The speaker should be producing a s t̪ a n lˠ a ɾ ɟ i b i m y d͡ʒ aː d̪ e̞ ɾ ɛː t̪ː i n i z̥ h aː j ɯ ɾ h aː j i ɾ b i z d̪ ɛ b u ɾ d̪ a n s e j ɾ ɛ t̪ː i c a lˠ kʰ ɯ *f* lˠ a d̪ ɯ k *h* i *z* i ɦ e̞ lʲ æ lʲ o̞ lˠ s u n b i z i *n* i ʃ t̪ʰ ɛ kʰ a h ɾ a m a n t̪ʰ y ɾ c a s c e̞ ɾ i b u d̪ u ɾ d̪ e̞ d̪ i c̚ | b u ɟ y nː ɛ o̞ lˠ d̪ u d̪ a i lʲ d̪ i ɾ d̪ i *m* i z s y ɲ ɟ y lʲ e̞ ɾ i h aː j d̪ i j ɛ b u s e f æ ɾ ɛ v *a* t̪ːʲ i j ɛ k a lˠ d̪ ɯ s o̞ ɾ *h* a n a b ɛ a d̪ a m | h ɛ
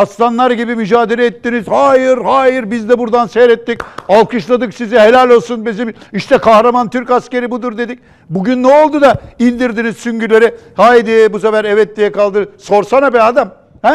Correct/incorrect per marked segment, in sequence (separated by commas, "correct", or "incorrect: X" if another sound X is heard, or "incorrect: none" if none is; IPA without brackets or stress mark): incorrect: ʃ, incorrect: s, correct, incorrect: m, incorrect: n, incorrect: ɛ, incorrect: s